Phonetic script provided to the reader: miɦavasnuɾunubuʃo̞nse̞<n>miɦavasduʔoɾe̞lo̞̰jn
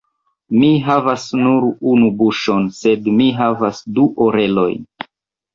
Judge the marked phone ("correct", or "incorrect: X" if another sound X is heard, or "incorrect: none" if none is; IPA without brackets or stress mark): incorrect: d